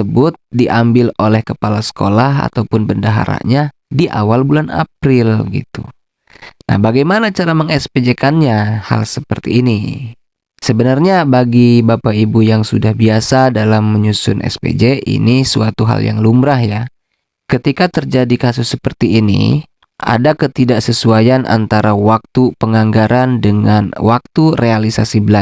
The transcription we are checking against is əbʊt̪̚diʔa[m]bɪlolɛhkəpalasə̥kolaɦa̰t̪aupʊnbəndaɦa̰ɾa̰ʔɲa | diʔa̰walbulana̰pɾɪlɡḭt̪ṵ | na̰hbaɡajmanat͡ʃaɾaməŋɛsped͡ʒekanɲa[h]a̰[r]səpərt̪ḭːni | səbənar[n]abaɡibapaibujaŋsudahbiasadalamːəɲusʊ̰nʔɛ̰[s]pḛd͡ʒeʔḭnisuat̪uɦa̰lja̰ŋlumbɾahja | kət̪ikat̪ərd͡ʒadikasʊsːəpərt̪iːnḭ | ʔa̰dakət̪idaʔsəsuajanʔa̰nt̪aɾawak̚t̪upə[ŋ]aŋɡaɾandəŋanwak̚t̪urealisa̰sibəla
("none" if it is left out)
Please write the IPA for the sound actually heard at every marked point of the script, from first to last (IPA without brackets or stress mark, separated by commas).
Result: m, h, l, ɲ, s, ŋ